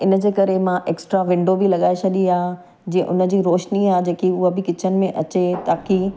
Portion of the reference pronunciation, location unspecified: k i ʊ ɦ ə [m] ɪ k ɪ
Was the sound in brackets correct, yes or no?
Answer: no